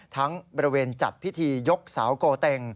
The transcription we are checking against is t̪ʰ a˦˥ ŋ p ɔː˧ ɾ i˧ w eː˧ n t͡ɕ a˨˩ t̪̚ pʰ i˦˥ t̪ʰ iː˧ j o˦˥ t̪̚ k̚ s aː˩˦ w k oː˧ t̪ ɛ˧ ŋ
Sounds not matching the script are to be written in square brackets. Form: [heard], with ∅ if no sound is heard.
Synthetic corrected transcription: t̪ʰ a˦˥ ŋ [b] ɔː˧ ɾ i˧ w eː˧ n t͡ɕ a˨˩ t̪̚ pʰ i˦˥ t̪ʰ iː˧ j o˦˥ [∅] k̚ s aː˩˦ w k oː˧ t̪ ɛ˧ ŋ